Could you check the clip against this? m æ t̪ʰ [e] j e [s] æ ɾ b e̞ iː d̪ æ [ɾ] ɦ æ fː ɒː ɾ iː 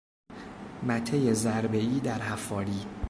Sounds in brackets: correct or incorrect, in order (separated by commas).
correct, incorrect, correct